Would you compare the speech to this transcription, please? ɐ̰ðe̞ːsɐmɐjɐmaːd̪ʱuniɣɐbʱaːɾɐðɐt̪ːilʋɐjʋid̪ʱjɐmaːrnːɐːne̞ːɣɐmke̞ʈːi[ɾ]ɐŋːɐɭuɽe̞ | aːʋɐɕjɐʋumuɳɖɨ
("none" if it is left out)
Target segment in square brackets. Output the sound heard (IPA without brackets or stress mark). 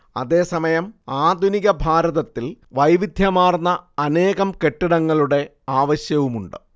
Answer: ɽ